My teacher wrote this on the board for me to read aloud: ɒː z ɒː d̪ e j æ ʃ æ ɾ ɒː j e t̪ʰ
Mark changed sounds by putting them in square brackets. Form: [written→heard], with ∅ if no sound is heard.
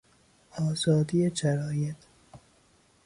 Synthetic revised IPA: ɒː z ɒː d̪ [e→i] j [æ→e] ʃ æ ɾ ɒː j e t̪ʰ

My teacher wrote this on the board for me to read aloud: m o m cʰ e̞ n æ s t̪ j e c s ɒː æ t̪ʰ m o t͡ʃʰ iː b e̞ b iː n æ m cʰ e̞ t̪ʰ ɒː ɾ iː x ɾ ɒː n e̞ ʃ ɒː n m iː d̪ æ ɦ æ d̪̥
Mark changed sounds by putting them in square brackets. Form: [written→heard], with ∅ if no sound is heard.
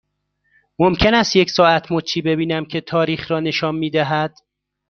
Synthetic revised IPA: m o m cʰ e̞ n æ s t̪ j e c s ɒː æ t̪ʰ m o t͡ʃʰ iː b e̞ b iː n æ m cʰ e̞ t̪ʰ ɒː ɾ iː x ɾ ɒː n e̞ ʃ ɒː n m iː d̪ æ ɦ æ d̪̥

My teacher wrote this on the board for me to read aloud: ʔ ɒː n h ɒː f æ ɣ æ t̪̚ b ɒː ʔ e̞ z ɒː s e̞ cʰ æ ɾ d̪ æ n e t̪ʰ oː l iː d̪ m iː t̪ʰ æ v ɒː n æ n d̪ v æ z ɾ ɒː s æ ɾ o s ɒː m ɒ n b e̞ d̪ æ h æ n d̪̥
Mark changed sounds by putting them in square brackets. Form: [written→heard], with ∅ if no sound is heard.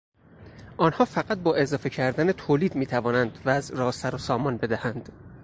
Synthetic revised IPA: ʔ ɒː n h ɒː f æ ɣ æ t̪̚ b ɒː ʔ e̞ z ɒː [s→f] e̞ cʰ æ ɾ d̪ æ n e t̪ʰ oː l iː d̪ m iː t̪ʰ æ v ɒː n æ n d̪ v æ z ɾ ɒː s æ ɾ o s ɒː m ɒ n b e̞ d̪ æ h æ n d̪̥

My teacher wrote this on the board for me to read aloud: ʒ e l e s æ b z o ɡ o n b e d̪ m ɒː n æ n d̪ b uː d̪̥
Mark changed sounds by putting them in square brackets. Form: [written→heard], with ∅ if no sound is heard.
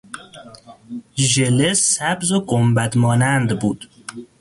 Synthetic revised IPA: ʒ e l e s æ b z o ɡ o [n→m] b [e→æ] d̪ m ɒː n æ n d̪ b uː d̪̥

